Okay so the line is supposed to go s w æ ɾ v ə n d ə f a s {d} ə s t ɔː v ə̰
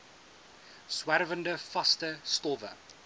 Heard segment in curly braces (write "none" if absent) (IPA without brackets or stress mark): t